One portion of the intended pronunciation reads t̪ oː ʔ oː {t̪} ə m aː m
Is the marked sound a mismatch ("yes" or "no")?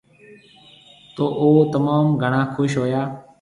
no